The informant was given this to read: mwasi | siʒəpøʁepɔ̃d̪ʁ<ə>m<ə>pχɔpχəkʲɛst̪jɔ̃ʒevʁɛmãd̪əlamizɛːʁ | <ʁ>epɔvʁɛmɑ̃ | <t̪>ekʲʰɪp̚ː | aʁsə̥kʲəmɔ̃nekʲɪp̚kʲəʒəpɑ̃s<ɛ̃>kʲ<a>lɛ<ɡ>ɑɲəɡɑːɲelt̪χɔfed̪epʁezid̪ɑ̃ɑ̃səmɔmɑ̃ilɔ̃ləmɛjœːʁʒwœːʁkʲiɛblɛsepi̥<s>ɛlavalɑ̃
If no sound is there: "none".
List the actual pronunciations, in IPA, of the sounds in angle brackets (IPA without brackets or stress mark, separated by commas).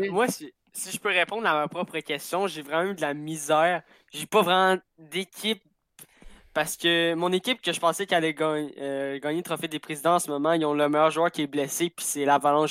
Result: a, a, ʒ, d̪, ɛ, a, ɡ, s